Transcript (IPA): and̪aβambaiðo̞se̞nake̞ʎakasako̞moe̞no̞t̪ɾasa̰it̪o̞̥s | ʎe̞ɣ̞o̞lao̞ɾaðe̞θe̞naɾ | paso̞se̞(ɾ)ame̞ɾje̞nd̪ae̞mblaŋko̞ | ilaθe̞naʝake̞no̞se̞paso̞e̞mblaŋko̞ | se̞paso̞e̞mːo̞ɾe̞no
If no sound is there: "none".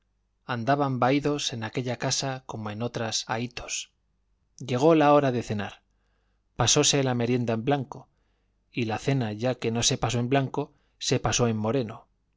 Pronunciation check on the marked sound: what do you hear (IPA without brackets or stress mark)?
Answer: l